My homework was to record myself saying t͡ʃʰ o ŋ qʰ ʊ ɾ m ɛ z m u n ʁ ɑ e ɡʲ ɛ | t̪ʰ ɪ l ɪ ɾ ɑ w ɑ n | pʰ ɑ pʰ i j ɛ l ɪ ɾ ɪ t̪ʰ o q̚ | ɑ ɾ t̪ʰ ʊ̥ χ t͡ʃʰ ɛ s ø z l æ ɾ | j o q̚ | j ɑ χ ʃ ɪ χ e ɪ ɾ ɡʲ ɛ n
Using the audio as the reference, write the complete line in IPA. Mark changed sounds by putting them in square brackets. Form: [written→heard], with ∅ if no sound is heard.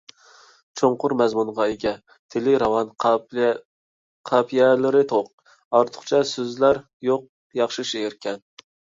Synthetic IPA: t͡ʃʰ o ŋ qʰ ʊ ɾ m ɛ z m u n ʁ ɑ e ɡʲ ɛ | t̪ʰ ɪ l ɪ ɾ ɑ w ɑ n | [pʰ→qʰ] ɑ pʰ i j ɛ l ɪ ɾ ɪ t̪ʰ o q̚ | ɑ ɾ t̪ʰ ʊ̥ χ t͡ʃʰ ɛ s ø z l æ ɾ | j o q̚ | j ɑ χ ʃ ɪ [χ→ʃ] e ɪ ɾ [ɡʲ→kʲ] ɛ n